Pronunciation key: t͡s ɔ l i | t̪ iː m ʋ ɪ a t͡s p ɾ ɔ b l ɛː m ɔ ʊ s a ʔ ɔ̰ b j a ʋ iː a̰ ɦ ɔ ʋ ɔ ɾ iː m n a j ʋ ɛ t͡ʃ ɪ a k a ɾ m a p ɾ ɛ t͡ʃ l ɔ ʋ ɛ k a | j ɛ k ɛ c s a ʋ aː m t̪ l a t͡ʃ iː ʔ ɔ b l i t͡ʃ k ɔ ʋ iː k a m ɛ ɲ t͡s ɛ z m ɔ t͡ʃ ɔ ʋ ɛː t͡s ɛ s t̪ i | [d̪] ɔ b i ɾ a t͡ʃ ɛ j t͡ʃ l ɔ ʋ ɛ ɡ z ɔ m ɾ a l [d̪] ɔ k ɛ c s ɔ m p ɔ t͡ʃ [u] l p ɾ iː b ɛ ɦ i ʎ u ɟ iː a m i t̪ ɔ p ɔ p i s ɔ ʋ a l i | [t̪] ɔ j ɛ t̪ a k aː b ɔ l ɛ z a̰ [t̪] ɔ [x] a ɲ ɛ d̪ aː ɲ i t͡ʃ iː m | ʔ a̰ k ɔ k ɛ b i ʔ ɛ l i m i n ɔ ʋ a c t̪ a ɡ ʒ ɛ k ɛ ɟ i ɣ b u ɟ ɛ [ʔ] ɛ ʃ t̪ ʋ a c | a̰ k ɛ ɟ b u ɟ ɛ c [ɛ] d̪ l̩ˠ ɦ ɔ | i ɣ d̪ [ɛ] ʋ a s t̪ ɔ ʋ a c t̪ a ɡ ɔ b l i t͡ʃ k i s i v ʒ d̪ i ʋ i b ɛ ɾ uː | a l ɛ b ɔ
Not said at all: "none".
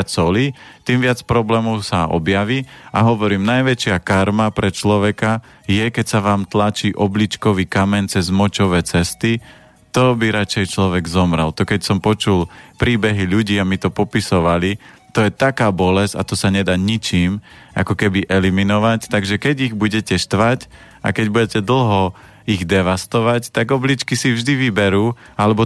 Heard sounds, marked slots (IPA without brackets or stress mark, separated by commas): t̪, t̪, u, t̪, t̪, s, c, ɛ, ɛ